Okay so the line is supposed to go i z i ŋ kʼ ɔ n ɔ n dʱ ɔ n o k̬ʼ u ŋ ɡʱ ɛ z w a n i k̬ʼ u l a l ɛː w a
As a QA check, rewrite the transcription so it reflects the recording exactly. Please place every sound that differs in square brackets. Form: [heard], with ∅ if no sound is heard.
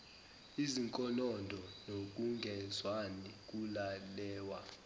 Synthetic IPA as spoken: i z i ŋ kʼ ɔ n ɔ n dʱ ɔ n o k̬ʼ u ŋ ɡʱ ɛ z w a n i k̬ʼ u l a l ɛː w a